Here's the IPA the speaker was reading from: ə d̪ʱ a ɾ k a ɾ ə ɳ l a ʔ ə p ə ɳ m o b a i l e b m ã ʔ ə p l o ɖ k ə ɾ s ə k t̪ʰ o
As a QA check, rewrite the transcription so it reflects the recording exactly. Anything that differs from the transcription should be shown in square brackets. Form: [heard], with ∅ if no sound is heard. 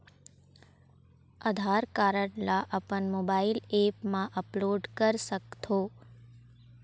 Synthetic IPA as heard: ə d̪ʱ a ɾ k a ɾ ə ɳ l a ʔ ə p ə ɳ m o b a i l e [p] m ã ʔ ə p l o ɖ k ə ɾ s ə k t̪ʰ o